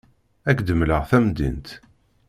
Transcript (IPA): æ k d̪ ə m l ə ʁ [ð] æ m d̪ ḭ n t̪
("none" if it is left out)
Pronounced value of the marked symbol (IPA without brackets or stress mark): θ